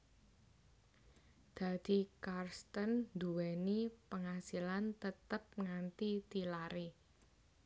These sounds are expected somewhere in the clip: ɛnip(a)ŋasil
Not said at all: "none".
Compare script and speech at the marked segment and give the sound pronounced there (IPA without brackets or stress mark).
ə